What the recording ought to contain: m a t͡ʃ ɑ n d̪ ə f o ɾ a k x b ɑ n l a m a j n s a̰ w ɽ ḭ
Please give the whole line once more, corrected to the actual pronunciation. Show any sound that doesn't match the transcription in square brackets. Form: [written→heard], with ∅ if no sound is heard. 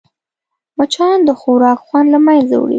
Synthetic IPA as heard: m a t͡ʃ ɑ n d̪ ə [f→x] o ɾ [a→ɑ] k x [b→w] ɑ n l a m a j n [s→z] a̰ w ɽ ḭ